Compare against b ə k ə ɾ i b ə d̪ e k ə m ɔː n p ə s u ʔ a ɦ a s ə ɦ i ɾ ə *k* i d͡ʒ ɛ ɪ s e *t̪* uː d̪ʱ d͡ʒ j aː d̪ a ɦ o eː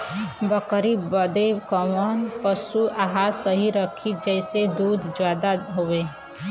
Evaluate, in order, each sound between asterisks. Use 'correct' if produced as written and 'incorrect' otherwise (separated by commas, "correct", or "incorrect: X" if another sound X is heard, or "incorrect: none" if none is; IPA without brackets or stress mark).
incorrect: kʰ, incorrect: d̪